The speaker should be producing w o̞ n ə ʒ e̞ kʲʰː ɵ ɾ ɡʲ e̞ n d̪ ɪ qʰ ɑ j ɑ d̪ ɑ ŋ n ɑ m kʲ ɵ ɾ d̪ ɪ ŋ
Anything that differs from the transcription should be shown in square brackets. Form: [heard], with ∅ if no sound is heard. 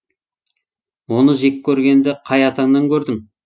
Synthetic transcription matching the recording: w o̞ n ə ʒ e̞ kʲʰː ɵ ɾ ɡʲ e̞ n d̪ ɪ qʰ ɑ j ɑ [t̪] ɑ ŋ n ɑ [ŋ] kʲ ɵ ɾ d̪ ɪ ŋ